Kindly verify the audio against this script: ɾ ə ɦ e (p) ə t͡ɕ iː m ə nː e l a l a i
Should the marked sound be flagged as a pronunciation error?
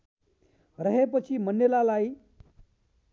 no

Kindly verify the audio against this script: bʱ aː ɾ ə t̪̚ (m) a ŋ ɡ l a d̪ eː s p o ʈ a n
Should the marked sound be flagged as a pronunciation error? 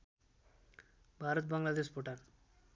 yes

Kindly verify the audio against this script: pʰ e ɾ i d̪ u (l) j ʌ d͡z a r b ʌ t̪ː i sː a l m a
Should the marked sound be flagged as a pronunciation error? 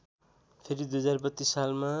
yes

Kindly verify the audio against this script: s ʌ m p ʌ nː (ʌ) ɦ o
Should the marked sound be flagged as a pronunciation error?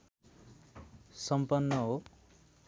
no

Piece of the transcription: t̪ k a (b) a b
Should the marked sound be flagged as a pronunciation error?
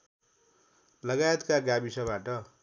yes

